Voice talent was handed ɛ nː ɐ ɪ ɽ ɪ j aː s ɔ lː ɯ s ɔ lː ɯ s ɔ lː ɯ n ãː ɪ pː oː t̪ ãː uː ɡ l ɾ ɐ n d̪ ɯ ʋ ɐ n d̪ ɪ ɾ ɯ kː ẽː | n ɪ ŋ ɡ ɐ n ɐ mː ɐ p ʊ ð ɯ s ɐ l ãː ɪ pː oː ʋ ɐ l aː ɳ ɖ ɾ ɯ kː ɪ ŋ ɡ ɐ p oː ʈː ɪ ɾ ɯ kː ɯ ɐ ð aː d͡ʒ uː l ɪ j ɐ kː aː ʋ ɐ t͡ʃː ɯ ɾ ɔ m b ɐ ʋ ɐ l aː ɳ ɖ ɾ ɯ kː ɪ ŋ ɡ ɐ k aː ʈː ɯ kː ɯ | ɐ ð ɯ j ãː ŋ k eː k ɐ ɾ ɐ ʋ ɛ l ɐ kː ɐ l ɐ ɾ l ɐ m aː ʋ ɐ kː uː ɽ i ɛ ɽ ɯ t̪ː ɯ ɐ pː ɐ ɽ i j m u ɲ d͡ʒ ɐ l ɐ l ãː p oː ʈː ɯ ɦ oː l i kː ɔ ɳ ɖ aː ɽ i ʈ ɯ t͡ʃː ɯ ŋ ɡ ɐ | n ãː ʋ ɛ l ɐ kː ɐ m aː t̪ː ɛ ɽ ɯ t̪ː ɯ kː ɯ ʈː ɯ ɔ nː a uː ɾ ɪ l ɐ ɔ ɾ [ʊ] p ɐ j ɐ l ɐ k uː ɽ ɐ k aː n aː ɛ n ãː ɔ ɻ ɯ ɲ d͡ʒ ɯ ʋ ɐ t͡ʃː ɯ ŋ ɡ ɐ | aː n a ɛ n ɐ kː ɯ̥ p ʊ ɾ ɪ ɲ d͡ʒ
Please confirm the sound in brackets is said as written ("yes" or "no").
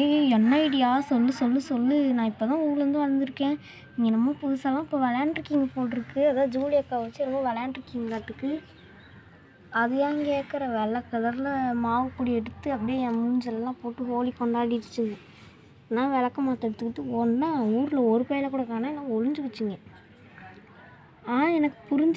no